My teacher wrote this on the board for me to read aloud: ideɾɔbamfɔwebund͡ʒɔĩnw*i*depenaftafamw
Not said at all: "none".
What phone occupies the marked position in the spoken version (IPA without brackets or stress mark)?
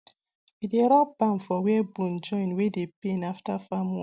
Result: e